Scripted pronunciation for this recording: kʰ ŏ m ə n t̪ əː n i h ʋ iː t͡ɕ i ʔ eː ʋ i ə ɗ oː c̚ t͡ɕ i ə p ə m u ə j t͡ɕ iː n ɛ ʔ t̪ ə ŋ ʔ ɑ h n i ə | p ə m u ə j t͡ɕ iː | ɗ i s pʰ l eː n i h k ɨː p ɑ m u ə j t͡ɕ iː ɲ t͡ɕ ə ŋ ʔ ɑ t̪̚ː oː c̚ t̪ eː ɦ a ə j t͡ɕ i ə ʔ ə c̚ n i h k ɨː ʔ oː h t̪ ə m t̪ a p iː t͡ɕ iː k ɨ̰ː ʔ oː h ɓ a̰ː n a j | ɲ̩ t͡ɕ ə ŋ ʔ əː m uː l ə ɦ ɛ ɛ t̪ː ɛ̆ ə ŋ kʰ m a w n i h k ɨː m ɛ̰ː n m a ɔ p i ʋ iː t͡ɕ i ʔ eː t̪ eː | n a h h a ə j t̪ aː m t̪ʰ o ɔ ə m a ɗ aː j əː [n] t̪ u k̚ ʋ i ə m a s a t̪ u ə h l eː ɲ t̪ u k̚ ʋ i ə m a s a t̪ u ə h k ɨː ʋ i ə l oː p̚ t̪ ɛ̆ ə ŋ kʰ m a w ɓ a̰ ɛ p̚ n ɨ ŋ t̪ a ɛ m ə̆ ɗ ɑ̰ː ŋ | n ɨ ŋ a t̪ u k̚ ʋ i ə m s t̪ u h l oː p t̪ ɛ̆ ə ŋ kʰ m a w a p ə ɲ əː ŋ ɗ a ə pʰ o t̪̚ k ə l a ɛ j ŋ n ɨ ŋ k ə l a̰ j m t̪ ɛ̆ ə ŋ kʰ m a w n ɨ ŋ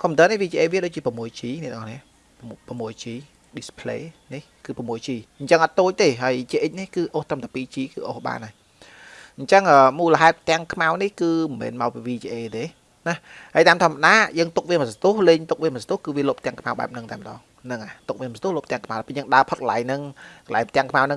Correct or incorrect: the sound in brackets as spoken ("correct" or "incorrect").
incorrect